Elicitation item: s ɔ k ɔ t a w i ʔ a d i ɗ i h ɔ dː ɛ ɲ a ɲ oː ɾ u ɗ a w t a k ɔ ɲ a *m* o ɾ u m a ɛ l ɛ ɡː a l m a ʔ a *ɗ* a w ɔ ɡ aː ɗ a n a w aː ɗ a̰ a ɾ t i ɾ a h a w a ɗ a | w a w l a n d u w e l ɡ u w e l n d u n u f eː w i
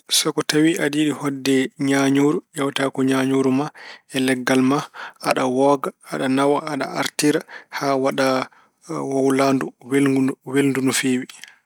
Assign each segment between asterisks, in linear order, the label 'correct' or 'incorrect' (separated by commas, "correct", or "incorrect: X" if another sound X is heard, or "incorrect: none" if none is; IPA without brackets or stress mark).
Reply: incorrect: ɲ, correct